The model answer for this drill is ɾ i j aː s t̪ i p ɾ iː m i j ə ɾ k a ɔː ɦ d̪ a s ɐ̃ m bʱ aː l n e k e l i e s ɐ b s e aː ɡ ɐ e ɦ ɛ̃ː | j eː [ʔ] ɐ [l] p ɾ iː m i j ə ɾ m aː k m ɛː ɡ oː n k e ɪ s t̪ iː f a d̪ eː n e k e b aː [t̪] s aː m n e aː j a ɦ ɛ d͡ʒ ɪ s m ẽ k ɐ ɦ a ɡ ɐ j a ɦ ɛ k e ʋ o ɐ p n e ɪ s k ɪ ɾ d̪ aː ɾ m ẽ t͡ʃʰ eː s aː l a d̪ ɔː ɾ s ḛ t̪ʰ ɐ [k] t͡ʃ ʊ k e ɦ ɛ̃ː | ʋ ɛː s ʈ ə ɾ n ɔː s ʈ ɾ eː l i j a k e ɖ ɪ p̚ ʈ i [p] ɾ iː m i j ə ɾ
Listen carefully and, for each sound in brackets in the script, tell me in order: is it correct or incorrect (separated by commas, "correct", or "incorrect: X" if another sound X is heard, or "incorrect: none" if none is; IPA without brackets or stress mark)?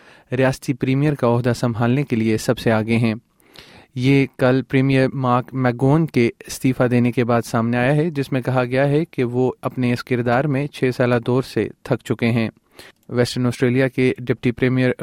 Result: incorrect: k, correct, incorrect: d̪, correct, correct